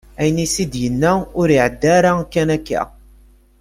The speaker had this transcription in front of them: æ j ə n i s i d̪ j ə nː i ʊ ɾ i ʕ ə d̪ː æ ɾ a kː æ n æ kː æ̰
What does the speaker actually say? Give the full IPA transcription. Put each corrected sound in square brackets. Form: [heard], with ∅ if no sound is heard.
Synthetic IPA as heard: æ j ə n i s i d̪ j ə nː [æ] ʊ ɾ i ʕ ə d̪ː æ ɾ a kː æ n æ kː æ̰